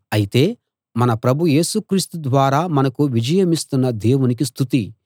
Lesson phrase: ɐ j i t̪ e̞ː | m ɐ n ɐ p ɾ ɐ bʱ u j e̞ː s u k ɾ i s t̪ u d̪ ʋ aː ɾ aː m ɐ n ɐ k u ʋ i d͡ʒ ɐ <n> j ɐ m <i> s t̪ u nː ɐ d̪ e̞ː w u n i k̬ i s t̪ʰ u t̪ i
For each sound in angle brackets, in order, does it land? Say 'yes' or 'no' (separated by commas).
no, yes